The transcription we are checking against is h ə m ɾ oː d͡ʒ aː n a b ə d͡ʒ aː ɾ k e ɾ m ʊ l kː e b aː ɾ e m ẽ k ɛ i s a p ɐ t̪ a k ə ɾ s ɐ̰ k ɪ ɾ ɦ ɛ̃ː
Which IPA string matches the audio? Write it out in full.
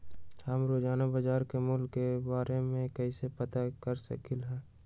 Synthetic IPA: h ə m ɾ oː d͡ʒ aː n a b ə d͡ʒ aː ɾ k e m ʊ l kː e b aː ɾ e m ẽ k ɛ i s e p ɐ t̪ a k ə ɾ s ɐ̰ k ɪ l ɦ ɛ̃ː

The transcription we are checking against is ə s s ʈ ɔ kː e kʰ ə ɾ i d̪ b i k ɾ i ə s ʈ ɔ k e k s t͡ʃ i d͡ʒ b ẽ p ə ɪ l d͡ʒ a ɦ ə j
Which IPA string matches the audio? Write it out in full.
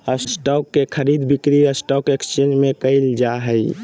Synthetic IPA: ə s s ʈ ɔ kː e kʰ ə ɾ i d̪ b i k ɾ i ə s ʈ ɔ k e k s t͡ʃ e d͡ʒ m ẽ k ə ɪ l d͡ʒ a ɦ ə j

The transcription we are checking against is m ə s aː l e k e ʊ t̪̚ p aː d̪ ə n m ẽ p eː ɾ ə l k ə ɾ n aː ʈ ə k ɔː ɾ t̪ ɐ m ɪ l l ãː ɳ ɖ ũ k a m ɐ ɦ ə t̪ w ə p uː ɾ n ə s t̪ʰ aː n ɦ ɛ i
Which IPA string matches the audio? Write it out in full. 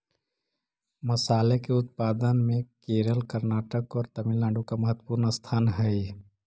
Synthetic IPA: m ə s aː l e k e ʊ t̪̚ p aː d̪ ə n m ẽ k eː ɾ ə l k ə ɾ n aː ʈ ə k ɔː ɾ t̪ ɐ m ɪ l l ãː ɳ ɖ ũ k a m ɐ ɦ ə t̪ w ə p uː ɾ n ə s t̪ʰ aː n ɦ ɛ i

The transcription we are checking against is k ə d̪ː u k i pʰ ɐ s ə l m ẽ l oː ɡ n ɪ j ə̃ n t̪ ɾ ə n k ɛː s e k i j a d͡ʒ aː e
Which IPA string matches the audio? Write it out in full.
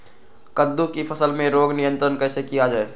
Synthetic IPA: k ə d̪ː u k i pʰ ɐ s ə l m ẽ ɾ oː ɡ n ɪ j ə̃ n t̪ ɾ ə n k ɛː s e k i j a d͡ʒ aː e

